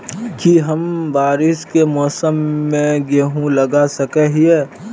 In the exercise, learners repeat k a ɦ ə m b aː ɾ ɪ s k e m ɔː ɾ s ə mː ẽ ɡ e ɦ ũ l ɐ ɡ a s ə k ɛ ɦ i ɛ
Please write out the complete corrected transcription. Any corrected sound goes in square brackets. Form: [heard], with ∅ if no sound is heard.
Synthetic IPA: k [i] ɦ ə m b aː ɾ ɪ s k e m ɔː [∅] s ə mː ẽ ɡ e ɦ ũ l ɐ ɡ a s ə k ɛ ɦ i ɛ